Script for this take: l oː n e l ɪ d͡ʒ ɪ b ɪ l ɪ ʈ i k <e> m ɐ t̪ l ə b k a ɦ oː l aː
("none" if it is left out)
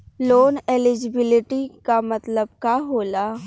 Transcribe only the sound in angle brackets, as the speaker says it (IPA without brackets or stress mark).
a